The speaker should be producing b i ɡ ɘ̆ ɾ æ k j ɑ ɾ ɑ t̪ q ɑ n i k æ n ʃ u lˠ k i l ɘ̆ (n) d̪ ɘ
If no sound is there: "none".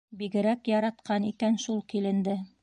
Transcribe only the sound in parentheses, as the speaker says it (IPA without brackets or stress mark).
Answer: n